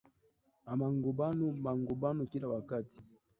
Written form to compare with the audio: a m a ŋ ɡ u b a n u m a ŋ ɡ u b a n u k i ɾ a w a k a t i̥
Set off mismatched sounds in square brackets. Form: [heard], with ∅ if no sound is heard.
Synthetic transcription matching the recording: a m a ŋ ɡ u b a n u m a ŋ ɡ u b a n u k i [l] a w a k a t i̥